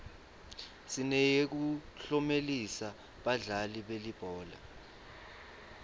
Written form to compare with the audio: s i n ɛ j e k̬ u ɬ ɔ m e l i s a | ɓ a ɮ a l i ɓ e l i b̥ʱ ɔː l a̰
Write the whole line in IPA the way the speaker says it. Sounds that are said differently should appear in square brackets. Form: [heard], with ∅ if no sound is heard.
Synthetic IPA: s i n ɛ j e k̬ u ɬ ɔ m e l i s a | ɓ a ɮ a l i ɓ e l i b̥ʱ ɔː l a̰

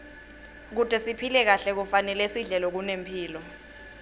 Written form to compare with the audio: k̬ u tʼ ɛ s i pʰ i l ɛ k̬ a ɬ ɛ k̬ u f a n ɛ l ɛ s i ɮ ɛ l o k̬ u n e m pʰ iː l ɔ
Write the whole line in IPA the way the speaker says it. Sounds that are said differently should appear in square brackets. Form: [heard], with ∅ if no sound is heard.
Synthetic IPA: k̬ u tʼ ɛ s i pʰ i l ɛ k̬ a ɬ ɛ k̬ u f a n ɛ l ɛ s i ɮ ɛ l [ɔ] k̬ u n e m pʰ iː l ɔ

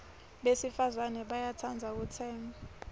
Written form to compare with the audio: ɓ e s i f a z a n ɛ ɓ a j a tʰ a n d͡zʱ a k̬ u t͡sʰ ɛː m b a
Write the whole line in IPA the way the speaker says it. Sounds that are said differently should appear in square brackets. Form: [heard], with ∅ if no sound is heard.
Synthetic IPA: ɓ e s i f a z a n ɛ ɓ a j a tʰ a n d͡zʱ a k̬ u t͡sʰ ɛː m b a

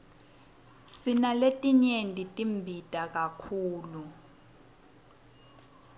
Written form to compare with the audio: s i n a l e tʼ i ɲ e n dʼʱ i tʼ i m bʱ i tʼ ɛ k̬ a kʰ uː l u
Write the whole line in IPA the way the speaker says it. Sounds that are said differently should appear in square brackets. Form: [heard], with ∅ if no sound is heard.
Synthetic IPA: s i n a l e tʼ i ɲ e n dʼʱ i tʼ i m bʱ i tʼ [a] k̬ a kʰ uː l u

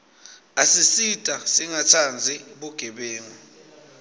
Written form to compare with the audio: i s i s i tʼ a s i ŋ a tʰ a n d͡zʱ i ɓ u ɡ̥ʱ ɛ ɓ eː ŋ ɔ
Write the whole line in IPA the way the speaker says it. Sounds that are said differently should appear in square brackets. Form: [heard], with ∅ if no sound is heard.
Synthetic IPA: [a] s i s i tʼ a s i ŋ a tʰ a n d͡zʱ i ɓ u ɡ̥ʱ ɛ ɓ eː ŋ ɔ

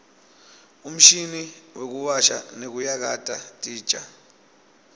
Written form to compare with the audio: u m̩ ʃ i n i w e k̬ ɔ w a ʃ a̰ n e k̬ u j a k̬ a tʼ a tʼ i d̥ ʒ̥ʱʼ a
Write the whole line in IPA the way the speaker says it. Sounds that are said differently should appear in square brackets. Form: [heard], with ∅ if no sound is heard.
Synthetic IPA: u m̩ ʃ i n i w e k̬ [u] w a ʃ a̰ n e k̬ u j a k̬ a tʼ a tʼ [iː] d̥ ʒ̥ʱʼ a

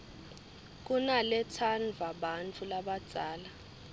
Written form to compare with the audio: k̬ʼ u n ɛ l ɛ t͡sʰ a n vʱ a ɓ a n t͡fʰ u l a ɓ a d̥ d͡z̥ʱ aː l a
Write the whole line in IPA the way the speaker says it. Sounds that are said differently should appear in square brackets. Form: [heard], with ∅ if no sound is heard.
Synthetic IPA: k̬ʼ u n [a] l ɛ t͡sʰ a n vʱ a ɓ a n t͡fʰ u l a ɓ a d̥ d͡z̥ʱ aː l a

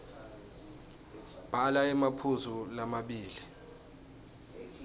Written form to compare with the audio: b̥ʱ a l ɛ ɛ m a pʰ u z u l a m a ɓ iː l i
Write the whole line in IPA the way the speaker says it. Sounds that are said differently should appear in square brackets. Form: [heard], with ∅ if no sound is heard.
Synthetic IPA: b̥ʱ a l [a] ɛ m a pʰ u z u l a m a ɓ iː l i

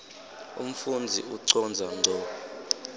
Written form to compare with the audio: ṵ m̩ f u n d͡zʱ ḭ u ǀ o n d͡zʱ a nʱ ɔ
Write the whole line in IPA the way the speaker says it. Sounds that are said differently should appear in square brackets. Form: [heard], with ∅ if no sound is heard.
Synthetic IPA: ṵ m̩ f u n d͡zʱ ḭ u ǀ [ɔ] n d͡zʱ a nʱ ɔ

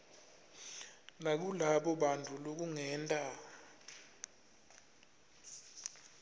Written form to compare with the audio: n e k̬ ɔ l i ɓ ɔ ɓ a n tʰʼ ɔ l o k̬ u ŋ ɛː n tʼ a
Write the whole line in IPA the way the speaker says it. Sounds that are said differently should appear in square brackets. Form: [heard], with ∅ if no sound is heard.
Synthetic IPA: n [a] k̬ [u] l [a] ɓ ɔ ɓ a n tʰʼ [u] l o k̬ u ŋ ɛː n tʼ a

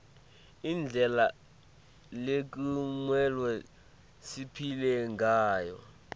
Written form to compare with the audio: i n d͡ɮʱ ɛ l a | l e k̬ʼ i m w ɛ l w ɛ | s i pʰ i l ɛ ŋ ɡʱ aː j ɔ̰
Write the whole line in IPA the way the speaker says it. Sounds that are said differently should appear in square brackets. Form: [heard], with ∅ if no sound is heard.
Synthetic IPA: i n d͡ɮʱ ɛ l a | l e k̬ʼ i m w ɛ l w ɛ | s i pʰ i l ɛ ŋ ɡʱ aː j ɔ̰

